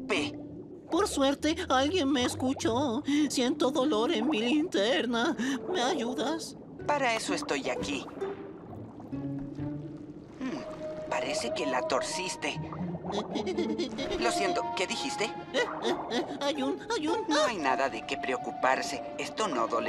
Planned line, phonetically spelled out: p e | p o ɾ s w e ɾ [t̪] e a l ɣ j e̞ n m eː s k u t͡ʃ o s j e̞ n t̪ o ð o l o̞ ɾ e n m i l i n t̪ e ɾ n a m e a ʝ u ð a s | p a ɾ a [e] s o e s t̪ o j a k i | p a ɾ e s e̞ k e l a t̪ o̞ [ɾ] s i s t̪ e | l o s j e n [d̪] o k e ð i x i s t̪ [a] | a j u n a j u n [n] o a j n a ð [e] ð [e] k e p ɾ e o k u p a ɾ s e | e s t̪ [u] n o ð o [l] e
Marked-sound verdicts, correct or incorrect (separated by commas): correct, correct, correct, incorrect, incorrect, correct, incorrect, correct, incorrect, correct